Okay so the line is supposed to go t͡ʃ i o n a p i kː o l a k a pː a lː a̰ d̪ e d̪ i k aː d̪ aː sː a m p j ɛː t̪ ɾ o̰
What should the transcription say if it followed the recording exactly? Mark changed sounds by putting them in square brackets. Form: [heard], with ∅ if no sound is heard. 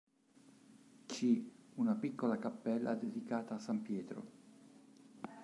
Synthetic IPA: t͡ʃ i [u] n a p i kː o l a k a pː [ɛ] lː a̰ d̪ e d̪ i k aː [t̪] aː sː a m p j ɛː t̪ ɾ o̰